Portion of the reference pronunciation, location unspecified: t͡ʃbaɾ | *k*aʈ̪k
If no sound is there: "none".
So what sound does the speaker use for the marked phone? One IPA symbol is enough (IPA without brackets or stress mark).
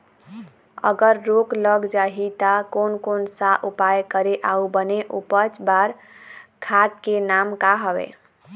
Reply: kʰ